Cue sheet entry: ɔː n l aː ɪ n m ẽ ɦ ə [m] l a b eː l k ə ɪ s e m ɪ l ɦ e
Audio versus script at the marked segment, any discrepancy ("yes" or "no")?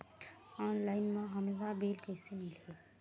no